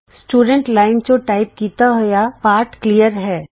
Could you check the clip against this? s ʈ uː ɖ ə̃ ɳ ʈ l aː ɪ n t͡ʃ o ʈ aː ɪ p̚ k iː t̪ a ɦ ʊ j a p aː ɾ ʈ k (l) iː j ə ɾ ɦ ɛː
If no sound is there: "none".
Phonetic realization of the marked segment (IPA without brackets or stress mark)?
l